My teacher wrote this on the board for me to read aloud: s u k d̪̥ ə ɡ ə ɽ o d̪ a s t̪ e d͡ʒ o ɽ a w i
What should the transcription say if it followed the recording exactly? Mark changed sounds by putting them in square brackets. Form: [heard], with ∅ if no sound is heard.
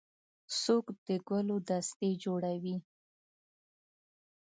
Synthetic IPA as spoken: s [o] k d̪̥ ə ɡ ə [l] o d̪ a s t̪ e d͡ʒ o ɽ a w i